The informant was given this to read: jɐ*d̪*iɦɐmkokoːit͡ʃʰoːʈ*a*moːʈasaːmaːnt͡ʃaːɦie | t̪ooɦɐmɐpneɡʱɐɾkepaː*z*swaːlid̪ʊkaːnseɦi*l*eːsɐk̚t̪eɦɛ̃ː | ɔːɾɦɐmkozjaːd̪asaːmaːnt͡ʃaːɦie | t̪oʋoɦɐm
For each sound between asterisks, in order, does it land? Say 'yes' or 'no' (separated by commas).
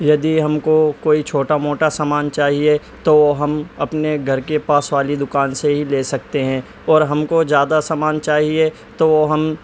yes, yes, no, yes